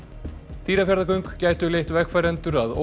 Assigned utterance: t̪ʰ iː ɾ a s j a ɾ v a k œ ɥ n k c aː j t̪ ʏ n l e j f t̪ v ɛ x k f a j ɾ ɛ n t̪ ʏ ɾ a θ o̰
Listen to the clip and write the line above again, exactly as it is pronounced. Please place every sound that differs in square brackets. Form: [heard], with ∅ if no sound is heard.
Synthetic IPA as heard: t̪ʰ iː ɾ a [f] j a ɾ [ð] a k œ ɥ [ŋ] k c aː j t̪ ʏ [∅] l e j [h] t̪ v ɛ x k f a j ɾ ɛ n t̪ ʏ ɾ a [ð] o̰